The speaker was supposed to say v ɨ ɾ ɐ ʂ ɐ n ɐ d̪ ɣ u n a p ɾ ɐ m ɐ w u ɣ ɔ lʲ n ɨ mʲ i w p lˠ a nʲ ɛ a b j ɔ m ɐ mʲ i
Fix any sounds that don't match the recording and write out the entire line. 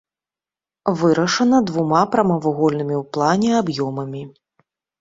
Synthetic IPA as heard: v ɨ ɾ ɐ ʂ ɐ n ɐ d̪ v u m a p ɾ ɐ m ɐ v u ɣ ɔ lʲ n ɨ mʲ i w p lˠ a nʲ ɛ a b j ɔ m ɐ mʲ i